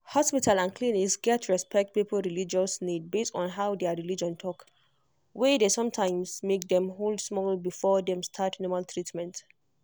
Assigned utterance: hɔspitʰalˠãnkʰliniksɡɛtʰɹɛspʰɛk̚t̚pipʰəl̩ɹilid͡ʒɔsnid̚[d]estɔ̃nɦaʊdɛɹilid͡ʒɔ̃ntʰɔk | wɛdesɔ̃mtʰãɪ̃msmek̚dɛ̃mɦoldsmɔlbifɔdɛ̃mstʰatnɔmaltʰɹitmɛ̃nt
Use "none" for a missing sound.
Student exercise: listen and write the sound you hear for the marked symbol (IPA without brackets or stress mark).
b